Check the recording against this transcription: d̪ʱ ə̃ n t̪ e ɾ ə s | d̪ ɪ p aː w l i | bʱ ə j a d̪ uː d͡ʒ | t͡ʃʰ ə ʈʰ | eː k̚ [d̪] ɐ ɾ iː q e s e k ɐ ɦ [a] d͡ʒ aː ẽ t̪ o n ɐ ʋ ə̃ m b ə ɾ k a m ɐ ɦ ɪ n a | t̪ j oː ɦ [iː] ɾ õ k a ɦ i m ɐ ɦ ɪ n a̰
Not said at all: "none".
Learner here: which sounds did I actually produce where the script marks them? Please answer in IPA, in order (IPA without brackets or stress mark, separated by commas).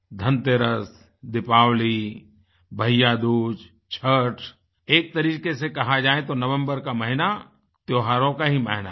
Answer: t̪, a, aː